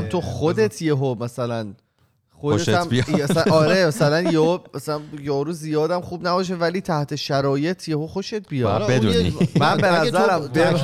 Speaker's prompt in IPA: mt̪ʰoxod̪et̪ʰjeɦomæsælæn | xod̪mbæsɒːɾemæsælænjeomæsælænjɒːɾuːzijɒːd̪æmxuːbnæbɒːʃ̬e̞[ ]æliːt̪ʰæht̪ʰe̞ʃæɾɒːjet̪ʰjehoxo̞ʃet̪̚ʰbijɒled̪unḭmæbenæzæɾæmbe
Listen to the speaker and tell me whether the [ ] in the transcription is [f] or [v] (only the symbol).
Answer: v